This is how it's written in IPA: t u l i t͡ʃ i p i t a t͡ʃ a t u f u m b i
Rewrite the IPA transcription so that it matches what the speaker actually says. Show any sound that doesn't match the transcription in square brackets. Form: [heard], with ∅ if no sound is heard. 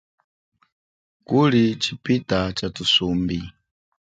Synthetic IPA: [k] u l i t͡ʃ i p i t a t͡ʃ a t u [s] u m b i